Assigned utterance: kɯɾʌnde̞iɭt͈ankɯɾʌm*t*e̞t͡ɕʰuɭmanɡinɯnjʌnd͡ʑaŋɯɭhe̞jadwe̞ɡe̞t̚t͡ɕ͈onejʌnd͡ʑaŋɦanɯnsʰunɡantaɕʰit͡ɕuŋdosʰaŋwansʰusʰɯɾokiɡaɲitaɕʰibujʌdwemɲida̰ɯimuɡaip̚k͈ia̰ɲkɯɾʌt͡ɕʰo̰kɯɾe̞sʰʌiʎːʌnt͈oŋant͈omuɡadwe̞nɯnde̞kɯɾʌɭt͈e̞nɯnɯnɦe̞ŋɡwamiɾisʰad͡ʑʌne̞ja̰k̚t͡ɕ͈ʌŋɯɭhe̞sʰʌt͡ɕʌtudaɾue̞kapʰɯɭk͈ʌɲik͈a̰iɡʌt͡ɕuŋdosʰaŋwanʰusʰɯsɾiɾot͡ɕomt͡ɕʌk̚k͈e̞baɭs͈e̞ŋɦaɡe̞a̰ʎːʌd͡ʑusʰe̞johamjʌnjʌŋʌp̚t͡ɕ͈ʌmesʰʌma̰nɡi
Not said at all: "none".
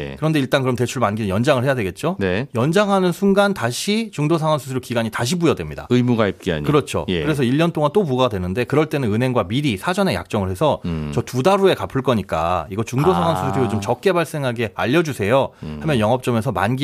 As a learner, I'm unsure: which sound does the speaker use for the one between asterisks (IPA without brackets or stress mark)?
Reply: t